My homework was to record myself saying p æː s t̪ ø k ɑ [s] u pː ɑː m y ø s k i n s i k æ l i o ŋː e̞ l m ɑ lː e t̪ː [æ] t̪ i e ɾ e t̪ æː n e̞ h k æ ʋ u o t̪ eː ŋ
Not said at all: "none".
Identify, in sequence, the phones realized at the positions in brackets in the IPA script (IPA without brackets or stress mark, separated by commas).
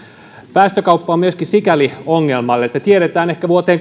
none, æ